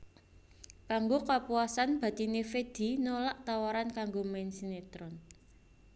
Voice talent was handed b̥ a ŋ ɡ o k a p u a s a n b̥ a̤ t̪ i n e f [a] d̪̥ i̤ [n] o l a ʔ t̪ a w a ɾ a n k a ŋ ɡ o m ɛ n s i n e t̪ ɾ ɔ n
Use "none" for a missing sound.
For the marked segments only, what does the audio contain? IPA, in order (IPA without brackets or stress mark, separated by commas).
e, n